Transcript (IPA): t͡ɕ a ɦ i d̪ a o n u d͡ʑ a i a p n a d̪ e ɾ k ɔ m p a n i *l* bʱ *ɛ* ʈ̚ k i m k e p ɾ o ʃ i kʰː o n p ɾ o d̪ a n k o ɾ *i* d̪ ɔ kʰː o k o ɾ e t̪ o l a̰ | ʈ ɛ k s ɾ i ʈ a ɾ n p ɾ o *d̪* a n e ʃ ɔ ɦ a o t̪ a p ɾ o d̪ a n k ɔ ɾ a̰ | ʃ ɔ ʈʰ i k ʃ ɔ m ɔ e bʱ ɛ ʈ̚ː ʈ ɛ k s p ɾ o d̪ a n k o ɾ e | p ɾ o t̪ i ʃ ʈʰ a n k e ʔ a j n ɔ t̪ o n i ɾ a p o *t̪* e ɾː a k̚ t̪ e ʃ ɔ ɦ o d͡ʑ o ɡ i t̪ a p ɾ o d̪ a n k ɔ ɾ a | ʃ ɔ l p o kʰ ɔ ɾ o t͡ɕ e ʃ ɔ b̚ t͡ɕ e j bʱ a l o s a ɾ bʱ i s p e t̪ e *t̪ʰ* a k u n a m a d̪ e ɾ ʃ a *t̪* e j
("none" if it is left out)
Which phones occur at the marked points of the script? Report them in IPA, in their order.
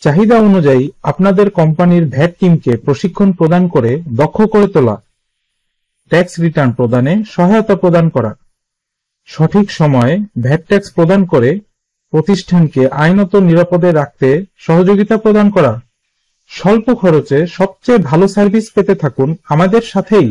ɾ, ɛ, e, d̪, d̪, t̪ʰ, t̪ʰ

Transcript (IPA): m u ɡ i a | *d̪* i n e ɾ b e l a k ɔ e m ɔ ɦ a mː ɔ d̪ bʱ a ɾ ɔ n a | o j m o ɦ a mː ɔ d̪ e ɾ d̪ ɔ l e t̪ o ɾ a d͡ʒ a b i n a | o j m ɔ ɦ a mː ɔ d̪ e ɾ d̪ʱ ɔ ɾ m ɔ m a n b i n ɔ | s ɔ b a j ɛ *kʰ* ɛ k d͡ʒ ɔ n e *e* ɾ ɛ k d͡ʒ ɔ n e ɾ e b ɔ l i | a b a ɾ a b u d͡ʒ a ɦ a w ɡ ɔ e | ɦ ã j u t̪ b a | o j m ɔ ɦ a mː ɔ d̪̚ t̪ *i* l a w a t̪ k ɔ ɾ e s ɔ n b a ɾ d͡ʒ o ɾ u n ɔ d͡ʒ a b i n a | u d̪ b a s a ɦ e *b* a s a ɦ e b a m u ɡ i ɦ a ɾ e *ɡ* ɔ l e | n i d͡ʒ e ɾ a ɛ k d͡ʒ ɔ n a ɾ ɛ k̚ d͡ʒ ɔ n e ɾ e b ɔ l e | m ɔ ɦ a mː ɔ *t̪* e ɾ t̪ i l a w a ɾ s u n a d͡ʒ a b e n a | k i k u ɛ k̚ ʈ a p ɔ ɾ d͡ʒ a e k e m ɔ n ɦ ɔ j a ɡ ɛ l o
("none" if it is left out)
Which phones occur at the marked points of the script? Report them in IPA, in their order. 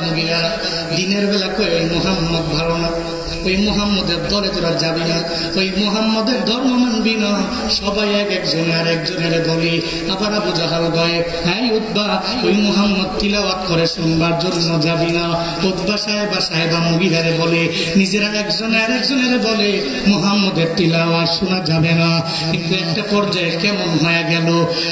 d̪, k, a, i, b, b, d̪

